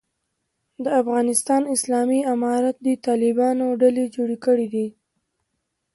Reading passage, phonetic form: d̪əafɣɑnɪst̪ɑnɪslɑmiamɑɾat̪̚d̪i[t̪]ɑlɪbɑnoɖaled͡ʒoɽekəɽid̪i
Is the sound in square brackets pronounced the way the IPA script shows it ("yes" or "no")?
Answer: yes